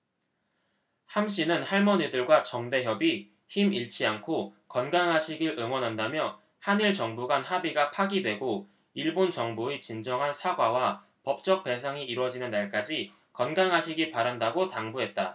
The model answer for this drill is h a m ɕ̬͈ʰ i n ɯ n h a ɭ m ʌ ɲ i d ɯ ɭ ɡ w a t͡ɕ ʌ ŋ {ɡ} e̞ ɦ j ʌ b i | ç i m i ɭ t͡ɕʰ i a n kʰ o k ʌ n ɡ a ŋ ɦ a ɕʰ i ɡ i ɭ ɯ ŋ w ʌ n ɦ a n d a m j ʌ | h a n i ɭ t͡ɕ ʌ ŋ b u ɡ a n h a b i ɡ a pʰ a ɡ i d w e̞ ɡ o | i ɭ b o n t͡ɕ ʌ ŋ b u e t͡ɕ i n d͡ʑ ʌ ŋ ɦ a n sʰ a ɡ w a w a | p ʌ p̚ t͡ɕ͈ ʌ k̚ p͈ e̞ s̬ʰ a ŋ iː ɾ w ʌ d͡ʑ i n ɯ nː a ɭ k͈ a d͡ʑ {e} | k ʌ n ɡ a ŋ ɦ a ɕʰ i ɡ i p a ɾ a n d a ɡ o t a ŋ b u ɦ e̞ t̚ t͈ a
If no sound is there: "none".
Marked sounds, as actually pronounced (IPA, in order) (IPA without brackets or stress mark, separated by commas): d, i